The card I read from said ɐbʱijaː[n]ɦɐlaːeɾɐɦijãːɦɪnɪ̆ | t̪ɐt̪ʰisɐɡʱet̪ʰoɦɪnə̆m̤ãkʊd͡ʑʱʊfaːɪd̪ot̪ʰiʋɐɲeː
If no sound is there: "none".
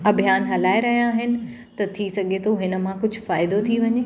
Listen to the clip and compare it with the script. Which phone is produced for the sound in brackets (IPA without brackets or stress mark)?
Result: n